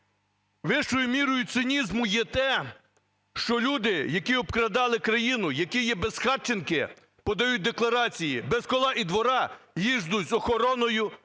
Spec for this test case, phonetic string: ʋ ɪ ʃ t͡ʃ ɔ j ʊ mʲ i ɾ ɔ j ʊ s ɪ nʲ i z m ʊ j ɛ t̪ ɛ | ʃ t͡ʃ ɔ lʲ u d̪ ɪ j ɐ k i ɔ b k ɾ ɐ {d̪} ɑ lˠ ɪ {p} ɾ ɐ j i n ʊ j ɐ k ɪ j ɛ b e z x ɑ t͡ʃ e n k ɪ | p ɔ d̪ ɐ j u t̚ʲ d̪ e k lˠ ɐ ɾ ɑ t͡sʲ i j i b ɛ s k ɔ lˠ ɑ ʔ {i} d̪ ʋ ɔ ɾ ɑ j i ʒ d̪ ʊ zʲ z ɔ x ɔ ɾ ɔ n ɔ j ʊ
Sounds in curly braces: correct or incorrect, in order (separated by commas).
correct, incorrect, correct